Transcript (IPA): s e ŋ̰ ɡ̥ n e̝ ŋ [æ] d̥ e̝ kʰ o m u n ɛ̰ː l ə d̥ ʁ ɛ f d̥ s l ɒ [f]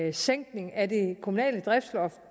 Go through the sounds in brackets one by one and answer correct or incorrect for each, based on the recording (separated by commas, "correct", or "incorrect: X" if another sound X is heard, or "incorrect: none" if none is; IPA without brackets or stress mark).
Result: correct, correct